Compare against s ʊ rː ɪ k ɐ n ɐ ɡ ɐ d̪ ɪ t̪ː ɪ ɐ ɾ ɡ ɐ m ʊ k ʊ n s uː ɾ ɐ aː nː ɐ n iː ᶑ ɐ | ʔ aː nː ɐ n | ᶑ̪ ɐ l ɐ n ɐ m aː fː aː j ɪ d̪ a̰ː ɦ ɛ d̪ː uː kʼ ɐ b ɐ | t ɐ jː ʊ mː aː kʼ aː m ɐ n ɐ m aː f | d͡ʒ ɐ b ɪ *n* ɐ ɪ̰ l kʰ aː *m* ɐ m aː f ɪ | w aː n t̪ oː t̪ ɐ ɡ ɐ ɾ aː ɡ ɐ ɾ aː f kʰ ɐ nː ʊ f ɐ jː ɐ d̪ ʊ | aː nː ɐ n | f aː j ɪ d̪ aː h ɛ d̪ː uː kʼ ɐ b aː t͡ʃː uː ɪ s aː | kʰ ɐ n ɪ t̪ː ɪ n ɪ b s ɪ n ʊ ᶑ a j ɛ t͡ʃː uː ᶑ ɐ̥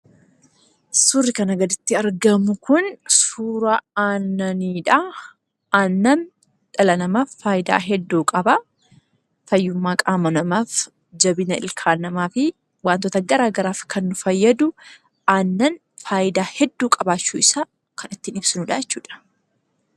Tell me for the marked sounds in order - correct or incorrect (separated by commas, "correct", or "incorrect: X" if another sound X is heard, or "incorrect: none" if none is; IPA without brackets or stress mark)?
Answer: correct, incorrect: n